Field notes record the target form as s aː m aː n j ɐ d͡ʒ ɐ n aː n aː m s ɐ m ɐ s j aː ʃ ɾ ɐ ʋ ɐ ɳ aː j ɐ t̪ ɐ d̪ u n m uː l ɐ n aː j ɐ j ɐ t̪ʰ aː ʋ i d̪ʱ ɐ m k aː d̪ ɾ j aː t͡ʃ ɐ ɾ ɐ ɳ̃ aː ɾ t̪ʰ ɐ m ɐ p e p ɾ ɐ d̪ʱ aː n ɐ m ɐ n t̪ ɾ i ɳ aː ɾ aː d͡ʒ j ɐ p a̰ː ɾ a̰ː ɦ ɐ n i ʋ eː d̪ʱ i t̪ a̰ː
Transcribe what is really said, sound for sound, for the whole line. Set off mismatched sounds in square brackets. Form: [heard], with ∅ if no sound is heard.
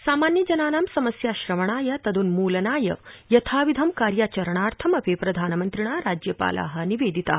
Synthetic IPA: s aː m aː n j ɐ d͡ʒ ɐ n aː n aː m s ɐ m ɐ s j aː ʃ ɾ ɐ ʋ ɐ ɳ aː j ɐ t̪ ɐ d̪ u n m uː l ɐ n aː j ɐ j ɐ t̪ʰ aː ʋ i d̪ʱ ɐ m k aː [∅] ɾ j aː t͡ʃ ɐ ɾ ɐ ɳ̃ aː ɾ t̪ʰ ɐ m ɐ p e p ɾ ɐ d̪ʱ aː n ɐ m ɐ n t̪ ɾ i ɳ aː ɾ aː d͡ʒ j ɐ p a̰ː [l] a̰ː ɦ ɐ n i ʋ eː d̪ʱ i t̪ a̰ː